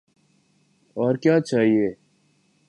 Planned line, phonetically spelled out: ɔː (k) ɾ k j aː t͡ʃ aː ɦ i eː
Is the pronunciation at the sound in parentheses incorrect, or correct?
incorrect